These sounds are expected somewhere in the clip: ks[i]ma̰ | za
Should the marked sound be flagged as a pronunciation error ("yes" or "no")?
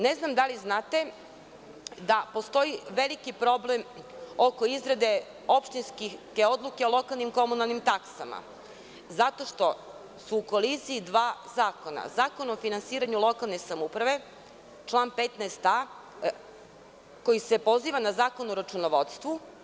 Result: yes